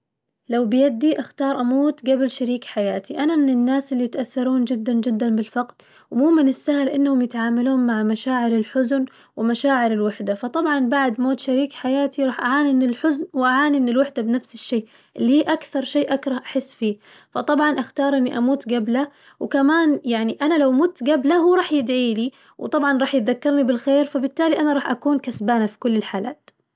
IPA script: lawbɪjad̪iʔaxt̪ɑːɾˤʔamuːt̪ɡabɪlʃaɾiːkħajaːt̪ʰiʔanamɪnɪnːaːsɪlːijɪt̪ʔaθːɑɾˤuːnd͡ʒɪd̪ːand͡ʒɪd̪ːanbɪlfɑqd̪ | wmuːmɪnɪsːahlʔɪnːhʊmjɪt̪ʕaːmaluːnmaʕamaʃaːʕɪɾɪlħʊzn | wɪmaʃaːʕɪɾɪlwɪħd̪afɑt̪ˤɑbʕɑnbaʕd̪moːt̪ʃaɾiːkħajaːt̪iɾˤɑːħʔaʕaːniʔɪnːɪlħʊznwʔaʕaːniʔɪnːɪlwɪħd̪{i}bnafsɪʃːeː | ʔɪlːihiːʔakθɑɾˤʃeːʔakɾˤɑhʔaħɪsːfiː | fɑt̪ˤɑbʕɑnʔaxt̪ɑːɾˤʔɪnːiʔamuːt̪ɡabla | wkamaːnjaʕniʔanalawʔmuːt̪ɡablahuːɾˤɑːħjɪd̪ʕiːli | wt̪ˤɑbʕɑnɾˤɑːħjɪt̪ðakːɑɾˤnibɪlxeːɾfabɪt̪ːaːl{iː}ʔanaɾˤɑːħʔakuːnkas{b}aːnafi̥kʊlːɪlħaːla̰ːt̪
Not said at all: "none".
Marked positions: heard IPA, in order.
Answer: a, i, b

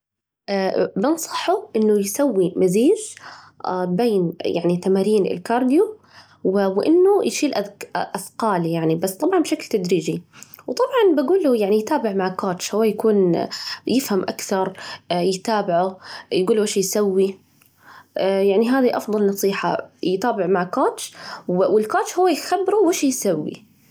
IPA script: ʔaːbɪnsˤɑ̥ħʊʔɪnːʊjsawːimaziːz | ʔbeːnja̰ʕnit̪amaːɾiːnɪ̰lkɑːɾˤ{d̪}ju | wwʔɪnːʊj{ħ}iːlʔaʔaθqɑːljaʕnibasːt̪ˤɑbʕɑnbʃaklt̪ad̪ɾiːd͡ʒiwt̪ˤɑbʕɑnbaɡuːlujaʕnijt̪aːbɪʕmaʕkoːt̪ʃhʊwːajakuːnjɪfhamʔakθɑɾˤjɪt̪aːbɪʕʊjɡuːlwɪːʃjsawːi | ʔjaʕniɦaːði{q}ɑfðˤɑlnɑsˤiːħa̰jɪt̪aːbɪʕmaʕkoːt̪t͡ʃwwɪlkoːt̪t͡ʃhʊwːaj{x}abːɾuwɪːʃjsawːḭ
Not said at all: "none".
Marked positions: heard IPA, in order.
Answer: d̪, ʃ, ʔ, x

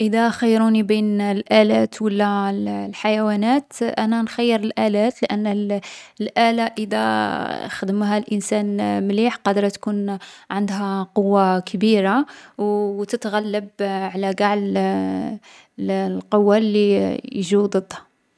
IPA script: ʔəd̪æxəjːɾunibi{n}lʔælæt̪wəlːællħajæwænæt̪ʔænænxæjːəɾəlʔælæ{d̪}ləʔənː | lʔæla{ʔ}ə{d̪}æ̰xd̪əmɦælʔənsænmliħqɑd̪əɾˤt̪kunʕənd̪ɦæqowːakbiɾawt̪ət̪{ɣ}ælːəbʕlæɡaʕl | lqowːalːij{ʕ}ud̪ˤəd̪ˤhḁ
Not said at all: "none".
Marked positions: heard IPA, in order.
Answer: n, t̪, ʔ, d̪, ɣ, ʒ

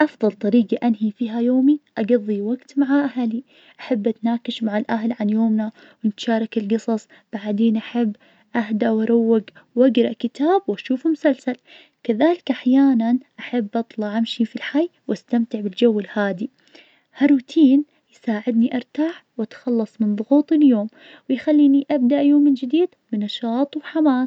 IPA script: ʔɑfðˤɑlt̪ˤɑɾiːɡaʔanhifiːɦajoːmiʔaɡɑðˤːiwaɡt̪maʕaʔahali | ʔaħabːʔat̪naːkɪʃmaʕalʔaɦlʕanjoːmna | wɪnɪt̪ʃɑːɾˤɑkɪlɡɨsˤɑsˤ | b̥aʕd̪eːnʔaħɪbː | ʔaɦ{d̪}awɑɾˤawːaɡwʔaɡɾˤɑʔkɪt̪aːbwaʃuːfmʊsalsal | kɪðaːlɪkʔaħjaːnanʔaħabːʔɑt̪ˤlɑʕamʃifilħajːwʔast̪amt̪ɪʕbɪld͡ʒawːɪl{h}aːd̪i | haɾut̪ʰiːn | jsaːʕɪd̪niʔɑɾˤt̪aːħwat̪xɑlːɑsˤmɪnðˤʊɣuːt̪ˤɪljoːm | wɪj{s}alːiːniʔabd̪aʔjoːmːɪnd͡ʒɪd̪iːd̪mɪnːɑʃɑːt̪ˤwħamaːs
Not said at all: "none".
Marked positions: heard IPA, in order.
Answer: d̪, h, x

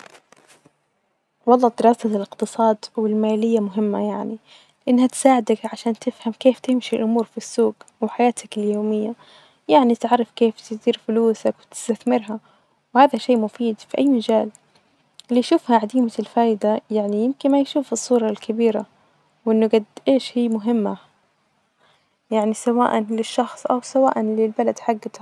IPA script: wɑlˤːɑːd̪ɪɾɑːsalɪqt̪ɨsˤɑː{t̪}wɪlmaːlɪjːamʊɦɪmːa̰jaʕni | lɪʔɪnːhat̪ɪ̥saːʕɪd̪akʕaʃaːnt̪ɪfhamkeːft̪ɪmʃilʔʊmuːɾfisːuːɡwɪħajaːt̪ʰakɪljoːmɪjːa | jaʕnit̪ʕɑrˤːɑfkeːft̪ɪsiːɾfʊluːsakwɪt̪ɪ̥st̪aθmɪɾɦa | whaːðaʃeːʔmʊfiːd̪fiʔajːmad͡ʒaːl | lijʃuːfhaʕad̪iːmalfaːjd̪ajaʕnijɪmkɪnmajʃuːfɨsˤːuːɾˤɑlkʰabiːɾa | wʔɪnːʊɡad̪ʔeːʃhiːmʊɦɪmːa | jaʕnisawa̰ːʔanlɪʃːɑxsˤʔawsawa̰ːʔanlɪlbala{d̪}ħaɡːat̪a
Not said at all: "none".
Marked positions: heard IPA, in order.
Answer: d̪, d̪

